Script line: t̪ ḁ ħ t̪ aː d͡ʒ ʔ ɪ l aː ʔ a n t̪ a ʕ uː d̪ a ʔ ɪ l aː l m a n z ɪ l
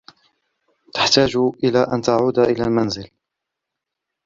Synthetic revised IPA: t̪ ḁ ħ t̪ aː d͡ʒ ʔ ɪ l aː ʔ a n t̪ a ʕ uː d̪ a ʔ ɪ l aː l m a n z ɪ l